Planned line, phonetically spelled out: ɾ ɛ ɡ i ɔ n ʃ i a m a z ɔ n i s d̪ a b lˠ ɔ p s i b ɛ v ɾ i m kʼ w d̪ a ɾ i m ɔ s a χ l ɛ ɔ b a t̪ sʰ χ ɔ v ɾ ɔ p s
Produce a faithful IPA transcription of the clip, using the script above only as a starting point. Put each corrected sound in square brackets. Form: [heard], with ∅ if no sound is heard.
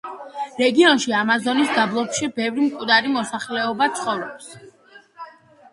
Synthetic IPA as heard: ɾ ɛ ɡ i ɔ n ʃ i a m a z ɔ n i s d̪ a b lˠ ɔ p [ʃ] i b ɛ v ɾ i m kʼ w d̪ a ɾ i m ɔ s a χ l ɛ ɔ b a t̪ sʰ χ ɔ v ɾ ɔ p s